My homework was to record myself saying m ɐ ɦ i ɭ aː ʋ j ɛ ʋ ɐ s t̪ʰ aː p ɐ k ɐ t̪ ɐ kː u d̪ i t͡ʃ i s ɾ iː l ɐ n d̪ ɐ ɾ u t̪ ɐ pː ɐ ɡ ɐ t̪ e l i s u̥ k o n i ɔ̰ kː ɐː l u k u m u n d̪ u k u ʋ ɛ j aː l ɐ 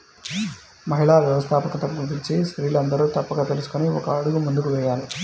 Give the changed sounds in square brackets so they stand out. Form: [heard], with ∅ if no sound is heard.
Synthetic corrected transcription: m ɐ ɦ i ɭ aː ʋ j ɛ ʋ ɐ s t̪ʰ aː p ɐ k ɐ t̪ ɐ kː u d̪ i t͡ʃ i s ɾ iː l ɐ n d̪ ɐ ɾ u t̪ ɐ pː ɐ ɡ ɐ t̪ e l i s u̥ k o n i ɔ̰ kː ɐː [ɽ] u [ɡ] u m u n d̪ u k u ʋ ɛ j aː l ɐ